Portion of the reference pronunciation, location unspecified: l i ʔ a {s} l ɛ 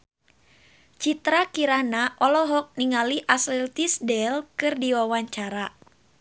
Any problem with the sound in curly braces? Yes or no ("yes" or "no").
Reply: no